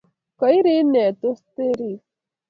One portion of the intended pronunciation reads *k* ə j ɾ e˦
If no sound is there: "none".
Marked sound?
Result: k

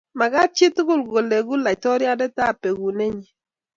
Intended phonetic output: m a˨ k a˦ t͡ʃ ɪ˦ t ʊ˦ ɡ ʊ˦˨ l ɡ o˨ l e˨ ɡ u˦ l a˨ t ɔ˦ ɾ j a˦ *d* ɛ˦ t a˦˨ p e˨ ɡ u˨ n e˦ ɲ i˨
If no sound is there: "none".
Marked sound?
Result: d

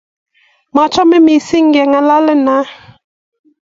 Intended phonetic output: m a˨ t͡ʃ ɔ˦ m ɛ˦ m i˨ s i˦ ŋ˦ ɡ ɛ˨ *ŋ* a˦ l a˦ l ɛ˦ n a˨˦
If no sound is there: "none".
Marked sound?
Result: ŋ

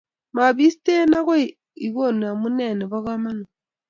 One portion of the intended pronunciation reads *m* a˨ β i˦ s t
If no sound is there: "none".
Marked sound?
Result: m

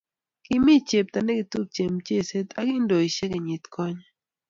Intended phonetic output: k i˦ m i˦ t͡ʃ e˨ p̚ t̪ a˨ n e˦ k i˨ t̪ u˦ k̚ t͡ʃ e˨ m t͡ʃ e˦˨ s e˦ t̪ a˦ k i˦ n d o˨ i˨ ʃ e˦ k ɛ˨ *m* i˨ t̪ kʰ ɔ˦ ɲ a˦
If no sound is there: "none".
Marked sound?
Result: ɲ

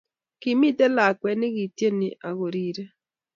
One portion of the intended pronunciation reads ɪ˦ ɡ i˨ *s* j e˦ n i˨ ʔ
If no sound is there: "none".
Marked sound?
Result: t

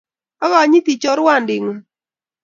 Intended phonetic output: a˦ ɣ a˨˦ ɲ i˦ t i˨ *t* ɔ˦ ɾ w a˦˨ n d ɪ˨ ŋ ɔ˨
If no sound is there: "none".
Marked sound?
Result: t͡ʃ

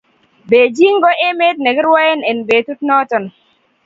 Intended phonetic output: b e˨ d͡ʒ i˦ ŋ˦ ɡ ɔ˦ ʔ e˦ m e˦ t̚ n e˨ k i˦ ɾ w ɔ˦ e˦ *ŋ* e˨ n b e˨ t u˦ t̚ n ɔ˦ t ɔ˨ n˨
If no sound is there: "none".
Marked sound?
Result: n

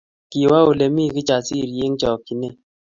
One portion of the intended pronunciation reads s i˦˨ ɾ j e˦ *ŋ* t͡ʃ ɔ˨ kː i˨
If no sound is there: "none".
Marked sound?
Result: ŋ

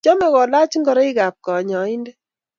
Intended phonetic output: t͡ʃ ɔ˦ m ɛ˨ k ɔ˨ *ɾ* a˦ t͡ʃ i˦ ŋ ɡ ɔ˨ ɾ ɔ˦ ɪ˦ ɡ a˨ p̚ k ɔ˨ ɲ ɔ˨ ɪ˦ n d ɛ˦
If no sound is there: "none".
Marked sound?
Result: l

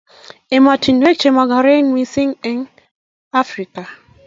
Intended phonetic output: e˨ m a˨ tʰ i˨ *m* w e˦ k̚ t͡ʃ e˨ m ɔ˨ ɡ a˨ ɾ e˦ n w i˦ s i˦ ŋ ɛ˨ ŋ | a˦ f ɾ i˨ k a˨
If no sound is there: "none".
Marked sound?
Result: n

